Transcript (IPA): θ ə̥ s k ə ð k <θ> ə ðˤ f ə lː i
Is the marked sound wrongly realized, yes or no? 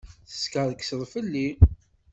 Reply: yes